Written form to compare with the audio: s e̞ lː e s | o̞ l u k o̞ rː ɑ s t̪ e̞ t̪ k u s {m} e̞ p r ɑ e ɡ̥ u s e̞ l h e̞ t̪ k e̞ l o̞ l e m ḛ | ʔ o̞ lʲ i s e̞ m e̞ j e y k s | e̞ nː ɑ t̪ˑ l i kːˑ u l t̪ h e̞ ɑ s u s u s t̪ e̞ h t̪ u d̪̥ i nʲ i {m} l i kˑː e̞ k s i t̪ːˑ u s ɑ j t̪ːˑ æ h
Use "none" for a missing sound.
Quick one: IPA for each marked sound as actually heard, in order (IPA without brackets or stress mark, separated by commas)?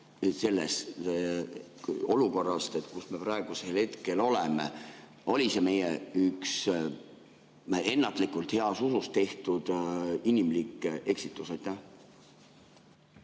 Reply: m, m